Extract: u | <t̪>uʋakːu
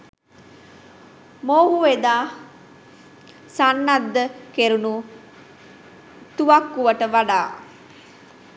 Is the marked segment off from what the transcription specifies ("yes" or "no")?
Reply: no